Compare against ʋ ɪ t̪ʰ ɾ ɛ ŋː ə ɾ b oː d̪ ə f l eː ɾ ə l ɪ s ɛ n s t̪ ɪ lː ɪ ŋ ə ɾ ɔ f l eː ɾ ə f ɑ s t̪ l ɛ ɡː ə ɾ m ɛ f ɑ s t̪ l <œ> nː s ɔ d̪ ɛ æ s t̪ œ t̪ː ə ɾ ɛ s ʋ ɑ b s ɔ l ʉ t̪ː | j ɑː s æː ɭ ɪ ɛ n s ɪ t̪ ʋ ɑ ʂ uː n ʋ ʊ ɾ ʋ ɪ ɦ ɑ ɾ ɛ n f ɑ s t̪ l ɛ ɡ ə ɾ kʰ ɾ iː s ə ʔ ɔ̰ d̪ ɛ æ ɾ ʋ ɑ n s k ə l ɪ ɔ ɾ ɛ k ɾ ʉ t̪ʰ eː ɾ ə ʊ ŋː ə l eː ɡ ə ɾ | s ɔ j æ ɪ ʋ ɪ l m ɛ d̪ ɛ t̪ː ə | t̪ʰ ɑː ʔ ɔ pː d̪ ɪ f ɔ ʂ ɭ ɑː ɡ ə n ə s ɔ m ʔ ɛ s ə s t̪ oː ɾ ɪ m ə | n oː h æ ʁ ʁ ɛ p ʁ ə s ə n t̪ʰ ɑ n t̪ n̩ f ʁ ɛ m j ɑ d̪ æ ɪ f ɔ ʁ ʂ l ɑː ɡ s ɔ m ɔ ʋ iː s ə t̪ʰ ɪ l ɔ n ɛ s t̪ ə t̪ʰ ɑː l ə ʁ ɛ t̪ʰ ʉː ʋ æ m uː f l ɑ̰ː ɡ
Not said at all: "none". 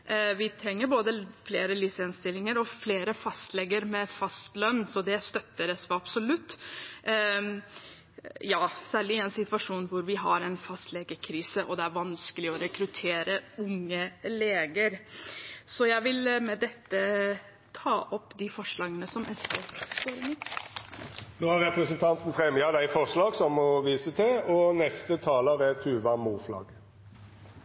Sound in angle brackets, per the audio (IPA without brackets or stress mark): œ